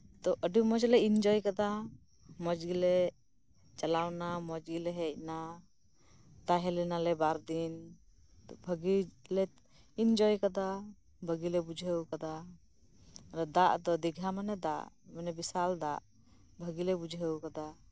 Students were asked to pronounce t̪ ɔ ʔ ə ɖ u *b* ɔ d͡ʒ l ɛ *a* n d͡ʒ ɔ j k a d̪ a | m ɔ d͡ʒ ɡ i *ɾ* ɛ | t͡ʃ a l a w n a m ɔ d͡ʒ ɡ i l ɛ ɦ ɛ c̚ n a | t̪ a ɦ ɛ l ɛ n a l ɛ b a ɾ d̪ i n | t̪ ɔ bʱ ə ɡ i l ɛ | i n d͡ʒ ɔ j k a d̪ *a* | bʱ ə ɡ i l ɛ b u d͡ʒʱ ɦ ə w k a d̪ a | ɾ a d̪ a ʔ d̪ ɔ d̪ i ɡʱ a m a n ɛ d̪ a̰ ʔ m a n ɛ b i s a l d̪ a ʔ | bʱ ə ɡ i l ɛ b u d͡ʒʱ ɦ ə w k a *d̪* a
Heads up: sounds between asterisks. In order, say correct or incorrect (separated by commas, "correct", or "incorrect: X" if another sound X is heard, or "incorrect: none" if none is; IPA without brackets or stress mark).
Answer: incorrect: m, incorrect: i, incorrect: l, correct, correct